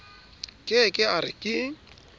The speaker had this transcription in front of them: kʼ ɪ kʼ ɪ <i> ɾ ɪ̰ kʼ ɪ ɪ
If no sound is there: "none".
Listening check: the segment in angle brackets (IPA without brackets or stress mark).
a